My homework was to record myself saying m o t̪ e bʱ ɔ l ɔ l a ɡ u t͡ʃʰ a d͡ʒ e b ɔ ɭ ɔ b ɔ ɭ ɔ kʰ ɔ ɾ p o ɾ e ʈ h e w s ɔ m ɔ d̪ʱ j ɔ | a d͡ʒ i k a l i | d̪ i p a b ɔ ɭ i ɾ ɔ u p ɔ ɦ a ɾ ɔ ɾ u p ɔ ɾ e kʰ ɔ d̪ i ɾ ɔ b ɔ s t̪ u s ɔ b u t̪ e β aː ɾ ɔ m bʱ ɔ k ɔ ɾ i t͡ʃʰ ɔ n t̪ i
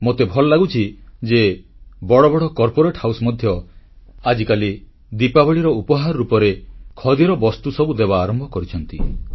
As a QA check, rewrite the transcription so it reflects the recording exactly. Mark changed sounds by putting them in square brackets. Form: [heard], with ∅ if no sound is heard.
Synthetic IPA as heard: m o t̪ e bʱ ɔ l ɔ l a ɡ u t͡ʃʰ [i] d͡ʒ e b ɔ [ɽ] ɔ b ɔ [ɽ] ɔ [k] ɔ ɾ p o ɾ e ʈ h [a] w s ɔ m ɔ d̪ʱ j ɔ | a d͡ʒ i k a l i | d̪ i p a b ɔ ɭ i ɾ ɔ u p ɔ ɦ a ɾ ɔ ɾ u p ɔ ɾ e kʰ ɔ d̪ i ɾ ɔ b ɔ s t̪ u s ɔ b u [d̪] e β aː ɾ ɔ m bʱ ɔ k ɔ ɾ i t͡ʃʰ ɔ n t̪ i